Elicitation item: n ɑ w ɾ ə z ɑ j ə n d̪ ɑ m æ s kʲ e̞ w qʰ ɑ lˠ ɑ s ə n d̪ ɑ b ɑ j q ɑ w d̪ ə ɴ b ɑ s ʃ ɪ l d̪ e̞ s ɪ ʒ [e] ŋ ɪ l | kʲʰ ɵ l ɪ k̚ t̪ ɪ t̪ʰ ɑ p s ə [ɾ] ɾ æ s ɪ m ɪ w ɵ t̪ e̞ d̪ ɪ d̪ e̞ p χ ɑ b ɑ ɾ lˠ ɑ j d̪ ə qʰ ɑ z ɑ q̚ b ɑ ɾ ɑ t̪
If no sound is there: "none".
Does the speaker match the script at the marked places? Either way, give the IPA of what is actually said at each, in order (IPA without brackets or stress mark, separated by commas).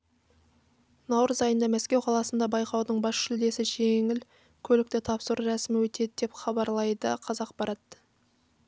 e, ɾ